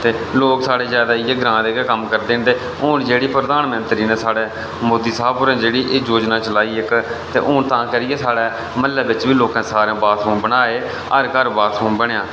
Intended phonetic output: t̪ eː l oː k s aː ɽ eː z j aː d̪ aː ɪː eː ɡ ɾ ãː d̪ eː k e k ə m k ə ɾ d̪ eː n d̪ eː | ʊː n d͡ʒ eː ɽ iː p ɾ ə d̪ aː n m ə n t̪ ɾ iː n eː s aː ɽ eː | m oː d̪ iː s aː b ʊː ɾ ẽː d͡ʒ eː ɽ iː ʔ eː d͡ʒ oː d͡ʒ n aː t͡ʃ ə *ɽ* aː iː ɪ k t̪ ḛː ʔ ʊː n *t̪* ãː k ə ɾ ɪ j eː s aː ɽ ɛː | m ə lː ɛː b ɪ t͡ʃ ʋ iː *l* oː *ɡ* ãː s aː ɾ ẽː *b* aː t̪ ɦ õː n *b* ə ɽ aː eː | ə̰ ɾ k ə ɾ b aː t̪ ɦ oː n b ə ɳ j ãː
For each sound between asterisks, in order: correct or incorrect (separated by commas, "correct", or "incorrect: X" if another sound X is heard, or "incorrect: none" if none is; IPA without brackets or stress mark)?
incorrect: l, correct, correct, incorrect: k, correct, correct